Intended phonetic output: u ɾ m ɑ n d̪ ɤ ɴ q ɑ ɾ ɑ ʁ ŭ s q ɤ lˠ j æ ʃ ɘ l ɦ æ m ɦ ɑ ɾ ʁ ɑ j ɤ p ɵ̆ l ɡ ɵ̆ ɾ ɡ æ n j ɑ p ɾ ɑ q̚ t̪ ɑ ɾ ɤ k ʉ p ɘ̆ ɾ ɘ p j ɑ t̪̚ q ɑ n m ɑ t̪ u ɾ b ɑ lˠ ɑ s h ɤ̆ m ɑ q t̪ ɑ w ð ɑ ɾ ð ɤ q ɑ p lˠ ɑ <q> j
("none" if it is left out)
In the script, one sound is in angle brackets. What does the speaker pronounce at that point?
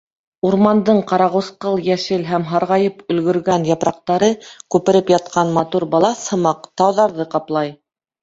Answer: none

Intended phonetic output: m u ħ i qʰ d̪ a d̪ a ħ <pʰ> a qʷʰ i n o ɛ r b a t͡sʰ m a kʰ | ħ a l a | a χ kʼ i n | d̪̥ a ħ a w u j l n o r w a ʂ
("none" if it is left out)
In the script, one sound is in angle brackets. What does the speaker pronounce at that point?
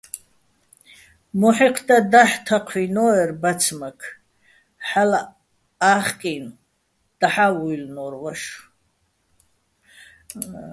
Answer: tʰ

